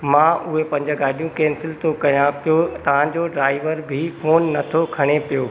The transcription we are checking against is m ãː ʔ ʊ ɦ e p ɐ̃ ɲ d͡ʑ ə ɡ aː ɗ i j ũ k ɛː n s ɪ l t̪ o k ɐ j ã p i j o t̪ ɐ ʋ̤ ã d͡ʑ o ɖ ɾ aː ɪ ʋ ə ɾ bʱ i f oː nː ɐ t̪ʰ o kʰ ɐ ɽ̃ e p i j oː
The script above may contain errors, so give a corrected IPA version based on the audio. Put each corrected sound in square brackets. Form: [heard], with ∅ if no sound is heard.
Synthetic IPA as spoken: m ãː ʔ ʊ ɦ e p ɐ̃ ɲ d͡ʑ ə ɡ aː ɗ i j ũ k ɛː n s ɪ l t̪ o k ɐ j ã p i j o t̪ ɐ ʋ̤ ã d͡ʑ o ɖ ɾ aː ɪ ʋ ə ɾ bʱ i f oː nː ɐ t̪ʰ o kʰ ɐ ɽ̃ e p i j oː